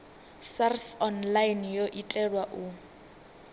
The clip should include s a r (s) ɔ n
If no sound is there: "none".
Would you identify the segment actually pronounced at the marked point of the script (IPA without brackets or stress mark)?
s